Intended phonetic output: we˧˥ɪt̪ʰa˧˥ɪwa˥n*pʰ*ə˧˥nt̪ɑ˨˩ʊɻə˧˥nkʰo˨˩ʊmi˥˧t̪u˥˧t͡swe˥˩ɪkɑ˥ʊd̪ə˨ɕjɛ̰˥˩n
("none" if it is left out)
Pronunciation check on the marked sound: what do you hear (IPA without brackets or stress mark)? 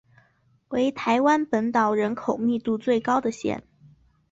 p